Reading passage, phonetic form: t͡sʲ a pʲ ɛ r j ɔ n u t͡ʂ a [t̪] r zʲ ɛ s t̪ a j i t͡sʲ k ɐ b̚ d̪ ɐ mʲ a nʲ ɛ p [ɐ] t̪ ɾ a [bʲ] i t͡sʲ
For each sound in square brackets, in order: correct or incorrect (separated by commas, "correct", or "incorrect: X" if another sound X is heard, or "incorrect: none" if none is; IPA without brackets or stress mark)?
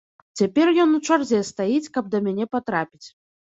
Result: incorrect: none, incorrect: a, incorrect: pʲ